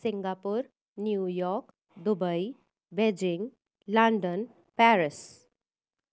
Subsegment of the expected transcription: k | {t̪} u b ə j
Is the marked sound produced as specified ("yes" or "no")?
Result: no